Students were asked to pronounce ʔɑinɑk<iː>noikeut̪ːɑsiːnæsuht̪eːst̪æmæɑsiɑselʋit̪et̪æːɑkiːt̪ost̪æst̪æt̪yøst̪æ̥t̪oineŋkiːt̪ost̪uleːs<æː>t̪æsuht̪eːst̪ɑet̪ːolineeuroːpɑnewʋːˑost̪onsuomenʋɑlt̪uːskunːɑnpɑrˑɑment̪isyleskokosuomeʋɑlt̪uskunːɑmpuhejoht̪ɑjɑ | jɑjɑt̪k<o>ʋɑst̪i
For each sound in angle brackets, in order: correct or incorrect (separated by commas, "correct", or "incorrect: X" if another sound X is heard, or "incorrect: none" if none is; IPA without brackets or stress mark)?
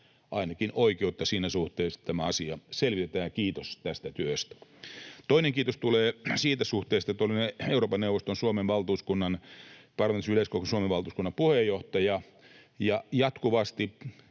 incorrect: i, incorrect: iː, incorrect: u